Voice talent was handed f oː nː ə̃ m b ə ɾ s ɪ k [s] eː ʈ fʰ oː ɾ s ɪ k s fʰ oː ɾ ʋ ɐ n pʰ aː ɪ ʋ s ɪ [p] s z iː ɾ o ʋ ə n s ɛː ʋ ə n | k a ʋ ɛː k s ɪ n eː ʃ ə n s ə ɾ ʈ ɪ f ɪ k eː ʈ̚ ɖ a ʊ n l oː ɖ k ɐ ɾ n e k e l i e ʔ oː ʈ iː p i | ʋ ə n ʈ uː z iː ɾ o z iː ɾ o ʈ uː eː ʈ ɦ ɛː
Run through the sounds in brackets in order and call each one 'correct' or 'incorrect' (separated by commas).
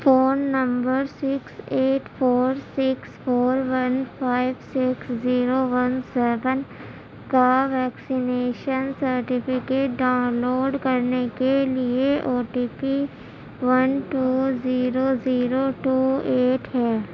correct, incorrect